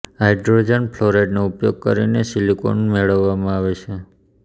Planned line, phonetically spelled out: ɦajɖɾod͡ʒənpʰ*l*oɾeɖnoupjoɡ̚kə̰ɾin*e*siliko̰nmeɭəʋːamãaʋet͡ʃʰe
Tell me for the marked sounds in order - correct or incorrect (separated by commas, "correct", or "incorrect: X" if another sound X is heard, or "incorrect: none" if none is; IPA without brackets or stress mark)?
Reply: correct, correct